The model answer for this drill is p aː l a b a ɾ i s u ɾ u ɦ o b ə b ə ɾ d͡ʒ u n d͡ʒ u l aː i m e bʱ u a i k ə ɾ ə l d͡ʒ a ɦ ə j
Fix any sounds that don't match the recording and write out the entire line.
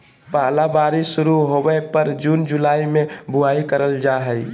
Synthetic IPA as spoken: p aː l a b a ɾ i s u ɾ u ɦ o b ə p ə ɾ d͡ʒ u n d͡ʒ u l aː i m e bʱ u a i k ə ɾ ə l d͡ʒ a ɦ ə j